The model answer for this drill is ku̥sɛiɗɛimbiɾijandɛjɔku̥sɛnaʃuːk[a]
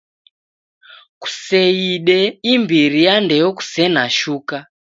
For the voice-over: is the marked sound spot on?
yes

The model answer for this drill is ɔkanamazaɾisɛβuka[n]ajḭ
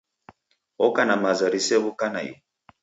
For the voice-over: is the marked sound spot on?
yes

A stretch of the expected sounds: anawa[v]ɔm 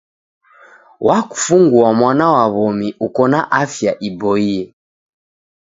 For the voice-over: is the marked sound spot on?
no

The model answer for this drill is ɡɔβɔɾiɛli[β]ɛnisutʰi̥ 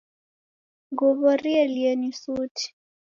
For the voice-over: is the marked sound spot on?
no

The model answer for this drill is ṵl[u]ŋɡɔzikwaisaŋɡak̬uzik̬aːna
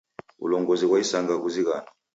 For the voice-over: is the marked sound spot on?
no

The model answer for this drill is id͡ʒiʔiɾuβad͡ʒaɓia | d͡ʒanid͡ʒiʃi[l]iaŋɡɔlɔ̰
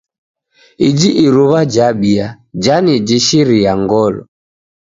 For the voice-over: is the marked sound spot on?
no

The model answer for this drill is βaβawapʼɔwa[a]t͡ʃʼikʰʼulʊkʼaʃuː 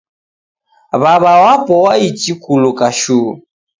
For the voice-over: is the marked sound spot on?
no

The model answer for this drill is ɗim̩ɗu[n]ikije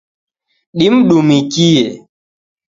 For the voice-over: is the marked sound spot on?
no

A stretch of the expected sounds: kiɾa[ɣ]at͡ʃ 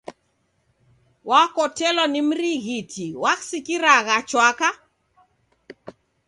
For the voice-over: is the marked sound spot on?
yes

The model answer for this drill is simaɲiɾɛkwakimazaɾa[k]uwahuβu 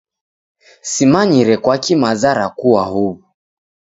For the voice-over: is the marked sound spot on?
yes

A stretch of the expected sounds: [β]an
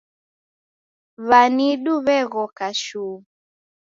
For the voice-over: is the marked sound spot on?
yes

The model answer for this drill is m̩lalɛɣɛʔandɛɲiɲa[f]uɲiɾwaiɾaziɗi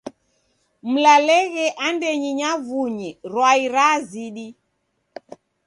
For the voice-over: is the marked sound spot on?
no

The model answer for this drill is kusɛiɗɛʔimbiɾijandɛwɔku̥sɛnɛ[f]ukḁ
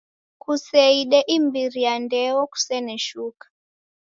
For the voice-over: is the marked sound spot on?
no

